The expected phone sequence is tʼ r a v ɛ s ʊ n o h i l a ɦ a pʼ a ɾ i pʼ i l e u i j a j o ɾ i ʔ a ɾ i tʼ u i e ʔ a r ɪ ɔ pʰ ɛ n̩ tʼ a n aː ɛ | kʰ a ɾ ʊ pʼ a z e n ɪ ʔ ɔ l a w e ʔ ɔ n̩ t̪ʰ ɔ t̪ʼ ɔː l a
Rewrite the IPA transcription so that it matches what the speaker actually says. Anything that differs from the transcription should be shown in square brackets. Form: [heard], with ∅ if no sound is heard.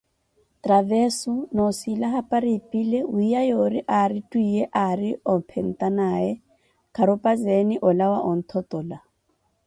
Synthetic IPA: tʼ r a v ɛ s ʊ n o [s] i l a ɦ a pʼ a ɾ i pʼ i l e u i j a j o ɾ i ʔ a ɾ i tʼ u i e ʔ a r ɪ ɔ pʰ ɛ n̩ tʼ a n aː ɛ | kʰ a ɾ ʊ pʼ a z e n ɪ ʔ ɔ l a w [a] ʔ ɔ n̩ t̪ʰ ɔ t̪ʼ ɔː l a